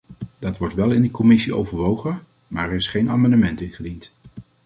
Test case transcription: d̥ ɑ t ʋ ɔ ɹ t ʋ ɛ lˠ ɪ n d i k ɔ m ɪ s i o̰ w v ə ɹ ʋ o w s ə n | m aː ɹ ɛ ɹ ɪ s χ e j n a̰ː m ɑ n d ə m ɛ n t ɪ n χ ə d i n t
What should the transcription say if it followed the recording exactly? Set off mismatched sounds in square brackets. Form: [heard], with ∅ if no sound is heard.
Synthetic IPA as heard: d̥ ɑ t ʋ ɔ ɹ t ʋ ɛ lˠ ɪ n d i k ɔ m ɪ s i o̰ w v ə ɹ ʋ o w [χ] ə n | m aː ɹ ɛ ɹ ɪ s χ e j n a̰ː m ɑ n d ə m ɛ n t ɪ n χ ə d i n t